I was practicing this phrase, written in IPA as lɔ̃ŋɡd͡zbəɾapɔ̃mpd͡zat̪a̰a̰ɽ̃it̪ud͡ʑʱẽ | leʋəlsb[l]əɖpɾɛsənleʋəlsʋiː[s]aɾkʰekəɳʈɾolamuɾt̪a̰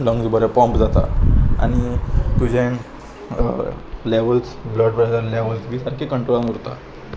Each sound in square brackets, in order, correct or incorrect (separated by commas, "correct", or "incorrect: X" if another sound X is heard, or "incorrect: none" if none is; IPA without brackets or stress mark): correct, correct